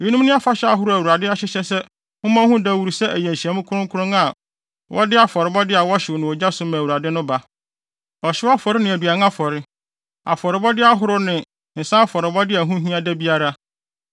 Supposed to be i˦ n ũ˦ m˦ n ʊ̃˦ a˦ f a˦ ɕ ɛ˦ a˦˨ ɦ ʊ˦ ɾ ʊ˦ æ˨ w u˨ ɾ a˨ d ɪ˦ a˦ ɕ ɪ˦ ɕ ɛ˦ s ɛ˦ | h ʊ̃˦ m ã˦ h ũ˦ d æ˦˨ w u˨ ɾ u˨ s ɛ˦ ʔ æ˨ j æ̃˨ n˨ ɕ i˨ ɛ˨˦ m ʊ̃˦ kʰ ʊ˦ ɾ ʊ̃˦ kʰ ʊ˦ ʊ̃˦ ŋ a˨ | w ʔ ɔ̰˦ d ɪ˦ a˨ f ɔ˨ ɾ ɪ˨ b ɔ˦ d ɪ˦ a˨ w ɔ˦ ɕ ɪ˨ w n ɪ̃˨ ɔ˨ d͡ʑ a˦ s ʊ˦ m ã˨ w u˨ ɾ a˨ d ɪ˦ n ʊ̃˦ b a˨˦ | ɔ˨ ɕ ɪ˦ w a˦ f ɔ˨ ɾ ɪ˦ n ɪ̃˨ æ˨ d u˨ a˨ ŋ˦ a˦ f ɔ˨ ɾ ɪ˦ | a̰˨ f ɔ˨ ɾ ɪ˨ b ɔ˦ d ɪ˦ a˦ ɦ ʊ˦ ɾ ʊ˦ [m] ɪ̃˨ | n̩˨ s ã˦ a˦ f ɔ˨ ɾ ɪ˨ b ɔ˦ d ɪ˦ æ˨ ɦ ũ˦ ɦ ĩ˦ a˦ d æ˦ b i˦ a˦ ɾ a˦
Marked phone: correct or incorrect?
incorrect